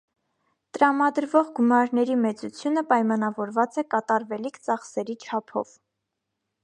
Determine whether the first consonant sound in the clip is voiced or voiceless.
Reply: voiceless